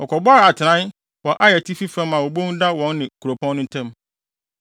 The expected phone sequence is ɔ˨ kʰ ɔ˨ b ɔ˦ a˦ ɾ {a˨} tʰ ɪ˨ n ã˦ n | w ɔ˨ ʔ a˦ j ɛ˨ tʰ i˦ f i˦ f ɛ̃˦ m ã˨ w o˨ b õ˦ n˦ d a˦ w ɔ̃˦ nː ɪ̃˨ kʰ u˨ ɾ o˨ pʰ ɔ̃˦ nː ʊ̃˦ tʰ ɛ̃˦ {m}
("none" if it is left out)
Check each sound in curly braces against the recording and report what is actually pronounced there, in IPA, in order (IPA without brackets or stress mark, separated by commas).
a˨, m